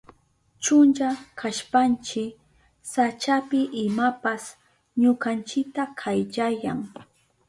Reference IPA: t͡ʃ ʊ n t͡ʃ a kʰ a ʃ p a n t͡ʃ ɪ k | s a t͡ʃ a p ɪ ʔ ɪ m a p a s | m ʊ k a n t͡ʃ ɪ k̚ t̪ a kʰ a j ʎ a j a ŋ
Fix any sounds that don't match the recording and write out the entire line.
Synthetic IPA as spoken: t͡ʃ ʊ n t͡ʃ a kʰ a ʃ p a n t͡ʃ ɪ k | s a t͡ʃ a p ɪ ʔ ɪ m a p a s | ɲ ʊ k a n t͡ʃ ɪ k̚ t̪ a kʰ a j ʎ a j a ŋ